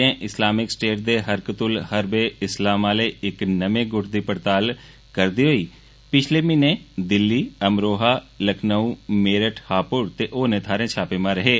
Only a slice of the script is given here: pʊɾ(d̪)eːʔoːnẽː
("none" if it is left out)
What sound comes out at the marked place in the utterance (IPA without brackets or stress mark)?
t̪